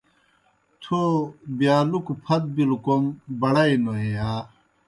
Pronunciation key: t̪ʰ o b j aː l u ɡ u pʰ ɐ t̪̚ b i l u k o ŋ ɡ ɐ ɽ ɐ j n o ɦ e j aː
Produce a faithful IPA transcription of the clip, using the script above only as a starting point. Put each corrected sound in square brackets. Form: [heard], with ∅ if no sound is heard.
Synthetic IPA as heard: t̪ʰ o b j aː l u [k] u pʰ ɐ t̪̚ b i l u k o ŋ [b] ɐ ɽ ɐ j n o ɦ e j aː